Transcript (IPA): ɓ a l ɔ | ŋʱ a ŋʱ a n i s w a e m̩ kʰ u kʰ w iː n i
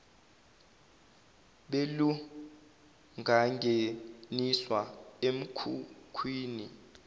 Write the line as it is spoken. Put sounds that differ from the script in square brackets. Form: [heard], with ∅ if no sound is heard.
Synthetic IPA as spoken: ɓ [e] l [u] | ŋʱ a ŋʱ [e] n i s w a e m̩ kʰ u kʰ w iː n i